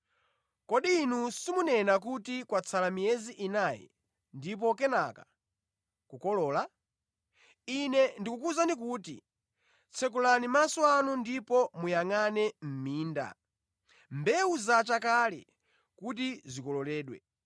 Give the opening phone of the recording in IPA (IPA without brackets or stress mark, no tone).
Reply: k